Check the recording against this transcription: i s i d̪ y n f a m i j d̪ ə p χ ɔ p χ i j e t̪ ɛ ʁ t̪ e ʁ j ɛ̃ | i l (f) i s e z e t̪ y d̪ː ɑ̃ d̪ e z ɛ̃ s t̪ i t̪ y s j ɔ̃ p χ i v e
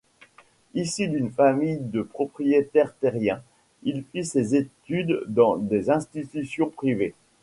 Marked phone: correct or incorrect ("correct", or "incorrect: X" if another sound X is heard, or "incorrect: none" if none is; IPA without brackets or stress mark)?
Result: correct